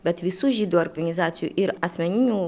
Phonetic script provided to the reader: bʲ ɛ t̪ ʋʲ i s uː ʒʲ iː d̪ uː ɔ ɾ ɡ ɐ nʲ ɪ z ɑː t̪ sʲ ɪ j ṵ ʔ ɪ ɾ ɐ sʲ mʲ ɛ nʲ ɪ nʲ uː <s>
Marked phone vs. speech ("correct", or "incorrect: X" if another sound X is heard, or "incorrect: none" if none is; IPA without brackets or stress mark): incorrect: none